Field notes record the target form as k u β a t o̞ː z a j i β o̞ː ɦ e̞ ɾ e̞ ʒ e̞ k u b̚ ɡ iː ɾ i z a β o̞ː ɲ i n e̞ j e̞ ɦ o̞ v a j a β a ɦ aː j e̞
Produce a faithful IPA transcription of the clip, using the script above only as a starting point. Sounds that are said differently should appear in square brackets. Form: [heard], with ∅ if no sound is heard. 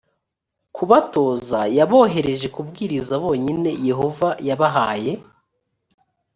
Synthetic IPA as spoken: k u β a t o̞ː z a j [a] β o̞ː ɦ e̞ ɾ e̞ ʒ e̞ k u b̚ ɡ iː ɾ i z a β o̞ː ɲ i n e̞ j e̞ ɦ o̞ v a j a β a ɦ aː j e̞